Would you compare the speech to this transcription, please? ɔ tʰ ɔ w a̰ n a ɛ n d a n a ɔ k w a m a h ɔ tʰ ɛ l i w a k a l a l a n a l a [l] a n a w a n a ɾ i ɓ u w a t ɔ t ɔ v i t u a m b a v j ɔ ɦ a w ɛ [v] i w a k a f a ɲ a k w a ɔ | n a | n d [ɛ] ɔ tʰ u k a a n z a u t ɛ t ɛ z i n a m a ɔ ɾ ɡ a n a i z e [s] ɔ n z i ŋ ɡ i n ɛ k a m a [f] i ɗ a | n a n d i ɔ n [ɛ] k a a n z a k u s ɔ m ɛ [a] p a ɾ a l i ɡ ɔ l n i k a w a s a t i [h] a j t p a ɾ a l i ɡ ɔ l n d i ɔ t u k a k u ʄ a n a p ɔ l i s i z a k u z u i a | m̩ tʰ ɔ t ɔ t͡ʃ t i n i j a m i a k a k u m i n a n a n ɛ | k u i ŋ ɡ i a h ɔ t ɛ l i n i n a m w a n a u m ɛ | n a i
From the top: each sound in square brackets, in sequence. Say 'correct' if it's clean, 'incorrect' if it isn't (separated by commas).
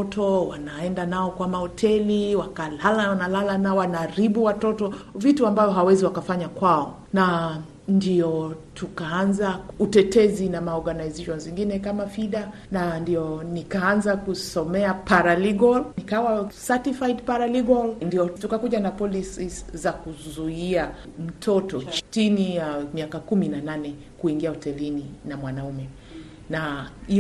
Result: correct, incorrect, incorrect, incorrect, correct, incorrect, correct, incorrect